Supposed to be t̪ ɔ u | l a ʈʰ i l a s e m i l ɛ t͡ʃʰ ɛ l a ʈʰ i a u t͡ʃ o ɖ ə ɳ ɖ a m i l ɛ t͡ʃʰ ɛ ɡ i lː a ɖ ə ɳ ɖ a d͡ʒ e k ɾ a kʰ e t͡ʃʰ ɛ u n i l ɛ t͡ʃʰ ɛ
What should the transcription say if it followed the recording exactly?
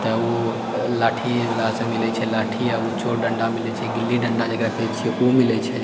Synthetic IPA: t̪ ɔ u | l a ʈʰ i l a s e m i l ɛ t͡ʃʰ ɛ l a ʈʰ i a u t͡ʃ o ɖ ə ɳ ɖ a m i l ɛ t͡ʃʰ ɛ ɡ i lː i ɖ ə ɳ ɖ a d͡ʒ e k ɾ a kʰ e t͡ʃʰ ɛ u m i l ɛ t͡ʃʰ ɛ